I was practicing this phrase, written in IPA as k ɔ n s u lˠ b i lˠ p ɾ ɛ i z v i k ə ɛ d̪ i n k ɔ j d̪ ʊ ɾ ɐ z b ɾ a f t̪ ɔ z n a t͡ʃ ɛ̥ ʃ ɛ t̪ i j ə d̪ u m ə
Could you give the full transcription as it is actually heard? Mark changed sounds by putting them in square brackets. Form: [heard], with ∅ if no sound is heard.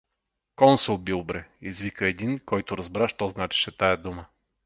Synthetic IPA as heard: k ɔ n s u lˠ b i lˠ [b] ɾ ɛ i z v i k ə ɛ d̪ i n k ɔ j [t̪] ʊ ɾ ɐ z b ɾ a [ʃ] t̪ ɔ z n a t͡ʃ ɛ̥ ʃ ɛ t̪ [a] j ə d̪ u m ə